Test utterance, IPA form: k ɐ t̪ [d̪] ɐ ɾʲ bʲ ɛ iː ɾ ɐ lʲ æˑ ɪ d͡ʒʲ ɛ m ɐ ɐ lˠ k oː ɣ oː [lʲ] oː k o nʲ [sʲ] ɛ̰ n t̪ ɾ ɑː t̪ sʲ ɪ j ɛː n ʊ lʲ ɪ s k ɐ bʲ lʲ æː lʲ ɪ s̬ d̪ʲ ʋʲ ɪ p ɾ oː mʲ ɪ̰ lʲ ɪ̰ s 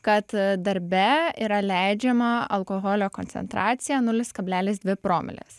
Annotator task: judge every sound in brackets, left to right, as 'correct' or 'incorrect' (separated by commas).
correct, correct, correct